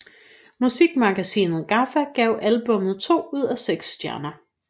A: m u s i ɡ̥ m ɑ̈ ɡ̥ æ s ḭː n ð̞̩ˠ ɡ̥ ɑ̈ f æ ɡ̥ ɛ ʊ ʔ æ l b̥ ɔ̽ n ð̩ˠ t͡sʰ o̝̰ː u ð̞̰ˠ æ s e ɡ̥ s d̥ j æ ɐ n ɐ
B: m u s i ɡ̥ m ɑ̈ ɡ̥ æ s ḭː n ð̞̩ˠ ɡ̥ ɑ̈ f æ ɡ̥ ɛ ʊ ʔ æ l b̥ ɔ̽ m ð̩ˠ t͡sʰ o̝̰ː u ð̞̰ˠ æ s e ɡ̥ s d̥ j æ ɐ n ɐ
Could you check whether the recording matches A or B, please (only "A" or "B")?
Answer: B